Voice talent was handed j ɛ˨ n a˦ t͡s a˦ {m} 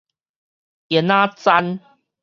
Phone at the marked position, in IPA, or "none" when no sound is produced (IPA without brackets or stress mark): n